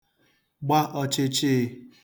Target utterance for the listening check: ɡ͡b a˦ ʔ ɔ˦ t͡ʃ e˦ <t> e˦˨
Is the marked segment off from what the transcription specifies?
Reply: yes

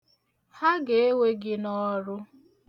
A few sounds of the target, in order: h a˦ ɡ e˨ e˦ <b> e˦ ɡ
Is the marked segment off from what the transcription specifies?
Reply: yes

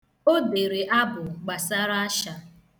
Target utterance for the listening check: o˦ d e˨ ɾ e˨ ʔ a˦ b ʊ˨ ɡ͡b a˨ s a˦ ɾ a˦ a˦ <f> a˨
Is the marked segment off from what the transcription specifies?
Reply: yes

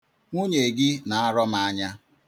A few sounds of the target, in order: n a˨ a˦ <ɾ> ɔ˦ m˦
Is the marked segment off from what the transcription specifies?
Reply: no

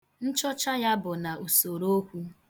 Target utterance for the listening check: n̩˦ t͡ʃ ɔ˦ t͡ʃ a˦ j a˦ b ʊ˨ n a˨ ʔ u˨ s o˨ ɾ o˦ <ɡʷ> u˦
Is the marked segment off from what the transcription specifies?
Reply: yes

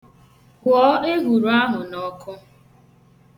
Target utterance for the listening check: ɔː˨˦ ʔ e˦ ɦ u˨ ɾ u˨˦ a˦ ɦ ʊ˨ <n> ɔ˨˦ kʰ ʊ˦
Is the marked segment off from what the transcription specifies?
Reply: no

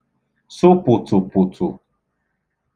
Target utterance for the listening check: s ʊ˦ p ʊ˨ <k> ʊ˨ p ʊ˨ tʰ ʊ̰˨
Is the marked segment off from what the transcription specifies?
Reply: yes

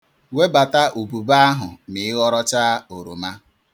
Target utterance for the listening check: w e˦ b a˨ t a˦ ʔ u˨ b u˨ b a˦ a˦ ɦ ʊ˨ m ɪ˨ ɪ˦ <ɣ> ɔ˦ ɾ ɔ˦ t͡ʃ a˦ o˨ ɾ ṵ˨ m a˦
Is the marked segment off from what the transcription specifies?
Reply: no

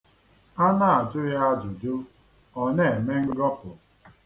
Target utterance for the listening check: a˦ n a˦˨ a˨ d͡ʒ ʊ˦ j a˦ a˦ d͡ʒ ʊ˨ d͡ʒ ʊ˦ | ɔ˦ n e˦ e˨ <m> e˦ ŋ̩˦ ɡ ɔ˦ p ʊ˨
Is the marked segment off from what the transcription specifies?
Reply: no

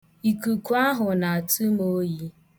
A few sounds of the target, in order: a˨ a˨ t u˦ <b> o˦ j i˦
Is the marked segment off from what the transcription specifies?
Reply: yes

